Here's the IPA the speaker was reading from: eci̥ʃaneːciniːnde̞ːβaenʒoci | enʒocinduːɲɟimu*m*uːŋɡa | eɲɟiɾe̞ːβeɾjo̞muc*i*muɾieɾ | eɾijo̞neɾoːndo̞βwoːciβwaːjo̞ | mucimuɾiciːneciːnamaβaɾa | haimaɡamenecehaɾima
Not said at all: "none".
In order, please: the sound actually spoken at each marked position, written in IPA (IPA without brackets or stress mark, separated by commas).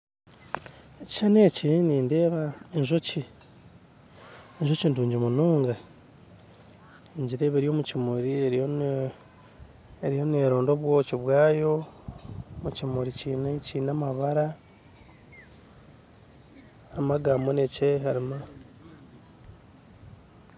n, i